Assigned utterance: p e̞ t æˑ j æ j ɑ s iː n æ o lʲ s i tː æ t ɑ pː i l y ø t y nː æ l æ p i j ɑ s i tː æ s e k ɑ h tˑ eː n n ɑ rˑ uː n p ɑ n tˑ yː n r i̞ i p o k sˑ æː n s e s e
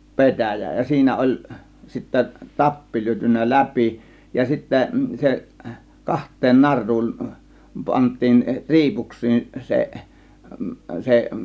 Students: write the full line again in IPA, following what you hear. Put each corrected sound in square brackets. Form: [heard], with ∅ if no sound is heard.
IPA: p e̞ t æˑ j æ j ɑ s iː n æ o lʲ s i tː æ t ɑ pː i l y ø t y nː æ l æ p i j ɑ s i tː æ s e k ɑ h tˑ eː n n ɑ rˑ uː n p ɑ n tˑ [iː] n r i̞ i p [u] k sˑ [iː] n s e s e